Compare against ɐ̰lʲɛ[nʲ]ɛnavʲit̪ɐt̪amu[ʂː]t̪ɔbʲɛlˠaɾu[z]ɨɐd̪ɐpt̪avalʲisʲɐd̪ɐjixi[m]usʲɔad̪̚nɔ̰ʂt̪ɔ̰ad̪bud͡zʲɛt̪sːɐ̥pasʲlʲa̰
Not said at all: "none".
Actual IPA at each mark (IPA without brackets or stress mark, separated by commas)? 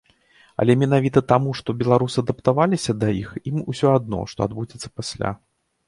mʲ, ʂ, s, m